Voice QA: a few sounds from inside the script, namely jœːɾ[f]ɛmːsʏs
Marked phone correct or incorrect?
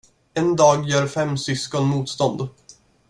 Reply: correct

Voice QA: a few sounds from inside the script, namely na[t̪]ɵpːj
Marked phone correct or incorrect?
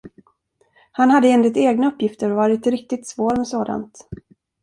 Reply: incorrect: none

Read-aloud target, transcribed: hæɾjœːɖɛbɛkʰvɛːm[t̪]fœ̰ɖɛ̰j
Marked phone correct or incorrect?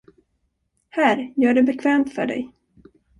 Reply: correct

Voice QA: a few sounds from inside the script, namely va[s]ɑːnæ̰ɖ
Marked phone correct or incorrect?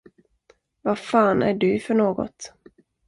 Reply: incorrect: f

